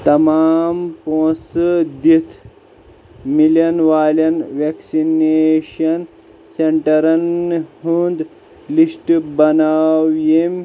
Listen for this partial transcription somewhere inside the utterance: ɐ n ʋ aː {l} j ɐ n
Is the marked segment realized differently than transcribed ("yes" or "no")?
no